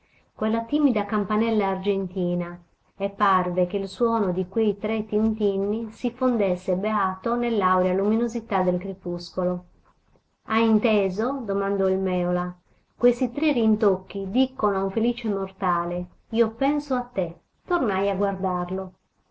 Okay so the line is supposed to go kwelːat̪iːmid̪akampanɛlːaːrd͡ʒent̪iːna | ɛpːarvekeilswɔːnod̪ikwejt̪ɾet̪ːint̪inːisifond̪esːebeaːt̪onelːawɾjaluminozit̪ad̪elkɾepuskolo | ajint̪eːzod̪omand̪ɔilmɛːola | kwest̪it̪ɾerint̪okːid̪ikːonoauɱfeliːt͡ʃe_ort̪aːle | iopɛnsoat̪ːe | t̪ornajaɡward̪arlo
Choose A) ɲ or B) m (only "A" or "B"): B